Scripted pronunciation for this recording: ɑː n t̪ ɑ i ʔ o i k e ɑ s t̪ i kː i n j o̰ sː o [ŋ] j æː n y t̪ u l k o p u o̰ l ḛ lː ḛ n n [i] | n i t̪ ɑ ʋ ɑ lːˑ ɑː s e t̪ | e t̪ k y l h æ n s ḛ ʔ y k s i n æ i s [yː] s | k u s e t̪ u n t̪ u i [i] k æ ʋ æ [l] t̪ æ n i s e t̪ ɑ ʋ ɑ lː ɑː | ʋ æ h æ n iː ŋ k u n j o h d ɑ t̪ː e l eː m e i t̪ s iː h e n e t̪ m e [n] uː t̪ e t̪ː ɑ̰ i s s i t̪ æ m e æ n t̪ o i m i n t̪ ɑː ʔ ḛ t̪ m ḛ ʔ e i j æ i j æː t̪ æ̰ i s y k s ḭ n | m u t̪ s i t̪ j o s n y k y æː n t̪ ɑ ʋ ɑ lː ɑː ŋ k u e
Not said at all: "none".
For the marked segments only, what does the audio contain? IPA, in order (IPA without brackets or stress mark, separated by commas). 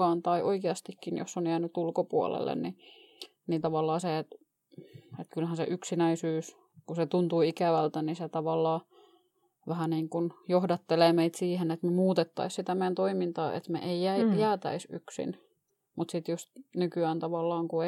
n, i, yː, i, l, m